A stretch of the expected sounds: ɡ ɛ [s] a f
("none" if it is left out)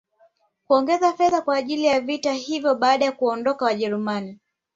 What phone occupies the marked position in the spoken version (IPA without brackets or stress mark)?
z